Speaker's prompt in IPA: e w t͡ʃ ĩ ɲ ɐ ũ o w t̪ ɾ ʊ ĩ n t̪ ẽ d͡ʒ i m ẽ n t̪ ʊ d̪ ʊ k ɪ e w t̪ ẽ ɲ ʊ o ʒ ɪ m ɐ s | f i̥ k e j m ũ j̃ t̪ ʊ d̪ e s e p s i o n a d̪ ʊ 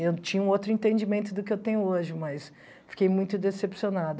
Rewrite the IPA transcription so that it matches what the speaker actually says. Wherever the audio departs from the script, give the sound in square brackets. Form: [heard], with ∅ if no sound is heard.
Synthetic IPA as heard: e w t͡ʃ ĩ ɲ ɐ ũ o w t̪ ɾ ʊ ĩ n t̪ ẽ d͡ʒ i m ẽ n t̪ ʊ d̪ ʊ k ɪ e w t̪ ẽ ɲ ʊ o ʒ ɪ m ɐ s | f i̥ k e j m ũ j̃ t̪ ʊ d̪ e s e p s i o n a d̪ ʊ

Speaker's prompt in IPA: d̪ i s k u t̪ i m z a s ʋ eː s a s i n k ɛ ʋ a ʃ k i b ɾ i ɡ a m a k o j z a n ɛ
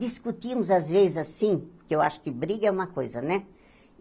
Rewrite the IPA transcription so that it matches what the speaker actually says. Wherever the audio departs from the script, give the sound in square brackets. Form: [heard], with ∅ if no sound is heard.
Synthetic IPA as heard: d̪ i s k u t̪ i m z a [z] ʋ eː [z] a s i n k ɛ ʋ a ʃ k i b ɾ i ɡ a m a k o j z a n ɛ

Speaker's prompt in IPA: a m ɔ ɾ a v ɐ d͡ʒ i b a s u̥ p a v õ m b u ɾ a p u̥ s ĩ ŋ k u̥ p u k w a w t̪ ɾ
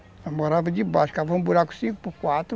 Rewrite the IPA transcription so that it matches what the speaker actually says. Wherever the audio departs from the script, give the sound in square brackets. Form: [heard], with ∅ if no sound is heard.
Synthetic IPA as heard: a m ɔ ɾ a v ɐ d͡ʒ i b a [ʃ] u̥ [k] a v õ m b u ɾ a [k] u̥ s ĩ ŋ k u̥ p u k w a [∅] t̪ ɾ

